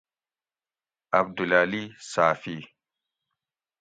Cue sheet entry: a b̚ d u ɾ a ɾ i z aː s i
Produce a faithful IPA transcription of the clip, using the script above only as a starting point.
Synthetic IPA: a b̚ d u l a l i s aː f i